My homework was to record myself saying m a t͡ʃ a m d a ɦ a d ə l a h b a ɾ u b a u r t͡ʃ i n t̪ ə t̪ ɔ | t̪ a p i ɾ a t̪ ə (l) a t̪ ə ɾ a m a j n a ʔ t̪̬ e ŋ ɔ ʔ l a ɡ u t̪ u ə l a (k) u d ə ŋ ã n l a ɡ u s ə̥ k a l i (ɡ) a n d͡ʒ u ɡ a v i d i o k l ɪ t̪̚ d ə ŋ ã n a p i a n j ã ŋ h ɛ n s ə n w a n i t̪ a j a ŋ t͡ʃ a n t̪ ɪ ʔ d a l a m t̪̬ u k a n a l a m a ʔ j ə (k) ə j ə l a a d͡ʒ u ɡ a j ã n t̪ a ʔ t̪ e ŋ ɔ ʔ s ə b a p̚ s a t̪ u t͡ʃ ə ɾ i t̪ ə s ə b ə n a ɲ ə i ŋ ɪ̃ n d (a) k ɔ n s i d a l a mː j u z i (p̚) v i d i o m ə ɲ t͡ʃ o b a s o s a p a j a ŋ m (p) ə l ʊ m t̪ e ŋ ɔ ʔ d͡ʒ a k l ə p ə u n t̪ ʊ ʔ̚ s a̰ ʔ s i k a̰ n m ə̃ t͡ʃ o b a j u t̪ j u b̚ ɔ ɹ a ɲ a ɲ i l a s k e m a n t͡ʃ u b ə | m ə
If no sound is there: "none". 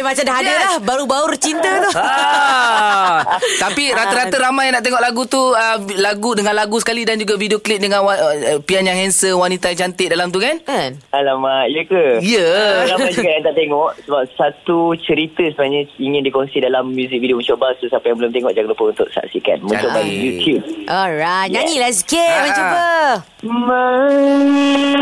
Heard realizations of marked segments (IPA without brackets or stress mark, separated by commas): ɾ, ɡ, d, k, i, k̚, b